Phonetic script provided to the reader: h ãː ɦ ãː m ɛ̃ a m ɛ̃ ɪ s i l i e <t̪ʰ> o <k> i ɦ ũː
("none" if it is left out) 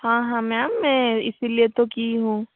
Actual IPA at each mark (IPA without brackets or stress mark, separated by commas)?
t̪, k